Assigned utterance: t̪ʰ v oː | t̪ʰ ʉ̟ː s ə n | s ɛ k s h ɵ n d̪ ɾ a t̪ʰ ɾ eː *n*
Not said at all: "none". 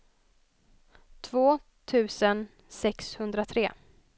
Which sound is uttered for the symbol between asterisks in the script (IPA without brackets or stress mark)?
none